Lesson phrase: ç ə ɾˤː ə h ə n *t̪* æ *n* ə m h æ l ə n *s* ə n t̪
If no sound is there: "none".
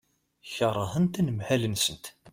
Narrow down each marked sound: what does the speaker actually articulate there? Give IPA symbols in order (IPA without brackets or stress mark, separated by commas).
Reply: t̪, n, s